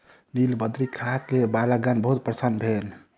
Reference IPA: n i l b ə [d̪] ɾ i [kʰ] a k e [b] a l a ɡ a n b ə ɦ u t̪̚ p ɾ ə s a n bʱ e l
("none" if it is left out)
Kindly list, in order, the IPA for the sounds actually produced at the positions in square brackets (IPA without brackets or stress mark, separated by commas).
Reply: d̪, kʰ, b